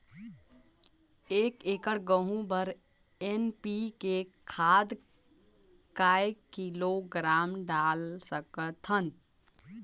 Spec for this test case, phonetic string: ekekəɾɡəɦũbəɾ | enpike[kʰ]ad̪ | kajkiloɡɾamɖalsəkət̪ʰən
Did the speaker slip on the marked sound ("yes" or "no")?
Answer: no